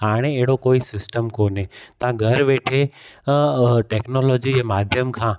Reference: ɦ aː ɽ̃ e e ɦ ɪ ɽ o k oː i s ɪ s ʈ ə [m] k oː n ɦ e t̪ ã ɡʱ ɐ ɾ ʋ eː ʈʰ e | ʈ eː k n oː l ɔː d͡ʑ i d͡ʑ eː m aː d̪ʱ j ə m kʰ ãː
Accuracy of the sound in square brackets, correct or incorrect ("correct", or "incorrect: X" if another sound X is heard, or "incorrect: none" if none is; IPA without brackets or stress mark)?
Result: correct